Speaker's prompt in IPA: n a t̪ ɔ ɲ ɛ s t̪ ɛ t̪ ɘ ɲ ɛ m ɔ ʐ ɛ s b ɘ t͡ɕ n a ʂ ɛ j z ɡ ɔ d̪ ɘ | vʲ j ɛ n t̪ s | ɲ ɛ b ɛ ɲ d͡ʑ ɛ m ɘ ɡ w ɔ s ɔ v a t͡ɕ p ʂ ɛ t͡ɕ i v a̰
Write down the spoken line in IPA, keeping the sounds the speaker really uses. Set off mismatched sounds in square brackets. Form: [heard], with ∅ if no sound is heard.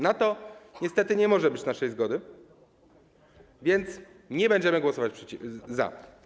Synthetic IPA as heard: n a t̪ ɔ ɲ ɛ s t̪ ɛ t̪ ɘ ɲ ɛ m ɔ ʐ ɛ [∅] b ɘ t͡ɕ n a ʂ ɛ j z ɡ ɔ d̪ ɘ | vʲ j ɛ n t̪ s | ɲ ɛ b ɛ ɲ d͡ʑ ɛ m ɘ ɡ w ɔ s ɔ v a t͡ɕ p ʂ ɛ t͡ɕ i [z] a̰